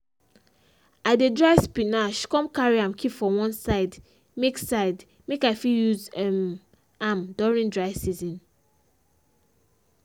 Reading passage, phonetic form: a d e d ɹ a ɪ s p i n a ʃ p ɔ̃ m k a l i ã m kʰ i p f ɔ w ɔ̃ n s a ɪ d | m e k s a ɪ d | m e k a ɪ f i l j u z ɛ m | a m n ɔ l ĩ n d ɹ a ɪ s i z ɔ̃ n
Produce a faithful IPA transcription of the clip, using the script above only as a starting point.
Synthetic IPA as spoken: a d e d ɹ a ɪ s p i n a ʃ k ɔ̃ m k a ɹ i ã m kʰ i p f ɔ w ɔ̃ n s a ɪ d | m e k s a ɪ d | m e k a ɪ f i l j u z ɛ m | a m d ɔ ɹ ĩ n d ɹ a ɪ s i z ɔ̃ n